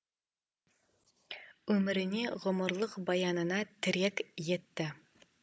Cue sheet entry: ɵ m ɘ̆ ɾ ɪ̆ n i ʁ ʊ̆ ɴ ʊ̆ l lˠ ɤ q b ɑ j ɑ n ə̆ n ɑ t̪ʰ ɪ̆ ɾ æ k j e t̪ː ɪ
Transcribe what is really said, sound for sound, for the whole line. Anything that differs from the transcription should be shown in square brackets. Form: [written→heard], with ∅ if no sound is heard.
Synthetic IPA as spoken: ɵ m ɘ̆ ɾ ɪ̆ n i ʁ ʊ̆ [ɴ→m] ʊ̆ [l→ɾ] lˠ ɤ q b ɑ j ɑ n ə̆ n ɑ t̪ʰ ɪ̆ ɾ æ k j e t̪ː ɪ